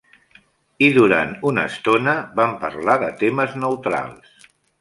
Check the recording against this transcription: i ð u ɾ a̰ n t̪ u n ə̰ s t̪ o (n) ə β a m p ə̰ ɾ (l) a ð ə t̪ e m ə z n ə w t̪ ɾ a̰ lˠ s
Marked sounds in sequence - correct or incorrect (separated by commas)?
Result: correct, correct